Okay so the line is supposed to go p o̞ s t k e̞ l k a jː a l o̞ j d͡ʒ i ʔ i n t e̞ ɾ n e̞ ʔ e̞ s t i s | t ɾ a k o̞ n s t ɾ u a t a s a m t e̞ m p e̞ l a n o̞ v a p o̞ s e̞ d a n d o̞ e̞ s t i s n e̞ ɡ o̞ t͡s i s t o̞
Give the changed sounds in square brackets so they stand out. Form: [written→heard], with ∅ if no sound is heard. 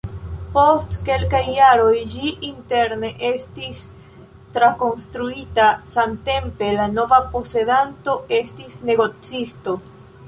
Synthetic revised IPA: p o̞ s t k e̞ l k a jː a [l→ɾ] o̞ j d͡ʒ i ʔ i n t e̞ ɾ n e̞ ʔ e̞ s t i s | t ɾ a k o̞ n s t ɾ u [a→i] t a s a m t e̞ m p e̞ l a n o̞ v a p o̞ s e̞ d a n [d→t] o̞ e̞ s t i s n e̞ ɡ o̞ t͡s i s t o̞